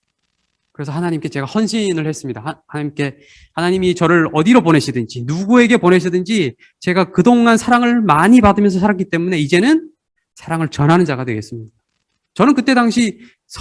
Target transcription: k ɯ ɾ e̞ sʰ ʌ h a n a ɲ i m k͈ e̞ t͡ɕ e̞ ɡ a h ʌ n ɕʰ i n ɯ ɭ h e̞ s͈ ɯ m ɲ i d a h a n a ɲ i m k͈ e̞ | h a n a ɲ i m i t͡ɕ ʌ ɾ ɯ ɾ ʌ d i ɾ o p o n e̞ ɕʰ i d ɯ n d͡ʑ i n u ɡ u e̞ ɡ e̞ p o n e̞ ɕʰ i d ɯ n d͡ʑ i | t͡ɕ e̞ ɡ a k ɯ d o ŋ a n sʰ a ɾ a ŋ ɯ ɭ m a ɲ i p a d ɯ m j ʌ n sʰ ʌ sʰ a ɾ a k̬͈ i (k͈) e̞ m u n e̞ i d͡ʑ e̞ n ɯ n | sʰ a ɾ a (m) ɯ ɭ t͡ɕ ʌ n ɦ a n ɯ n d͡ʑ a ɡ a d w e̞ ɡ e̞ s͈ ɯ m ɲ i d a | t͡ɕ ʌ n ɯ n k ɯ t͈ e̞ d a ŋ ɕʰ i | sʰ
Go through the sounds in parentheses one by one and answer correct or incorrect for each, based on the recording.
incorrect, incorrect

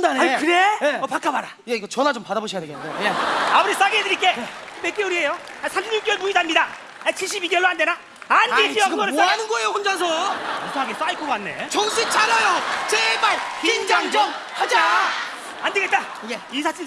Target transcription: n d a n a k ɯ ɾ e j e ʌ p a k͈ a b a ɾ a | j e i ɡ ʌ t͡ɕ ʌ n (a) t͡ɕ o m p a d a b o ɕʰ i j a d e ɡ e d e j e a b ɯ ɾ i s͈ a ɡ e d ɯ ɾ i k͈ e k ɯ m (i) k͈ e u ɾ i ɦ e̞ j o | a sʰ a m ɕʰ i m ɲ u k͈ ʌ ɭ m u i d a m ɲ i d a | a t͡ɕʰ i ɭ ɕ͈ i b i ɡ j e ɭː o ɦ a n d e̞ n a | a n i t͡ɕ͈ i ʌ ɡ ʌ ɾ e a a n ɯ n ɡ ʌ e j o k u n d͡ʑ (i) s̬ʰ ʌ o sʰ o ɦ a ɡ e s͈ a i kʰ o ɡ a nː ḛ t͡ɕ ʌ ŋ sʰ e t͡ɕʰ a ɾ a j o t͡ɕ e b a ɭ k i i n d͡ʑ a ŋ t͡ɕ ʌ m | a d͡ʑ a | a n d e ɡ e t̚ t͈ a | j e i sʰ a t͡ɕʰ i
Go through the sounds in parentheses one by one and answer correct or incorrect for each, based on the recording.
correct, incorrect, incorrect

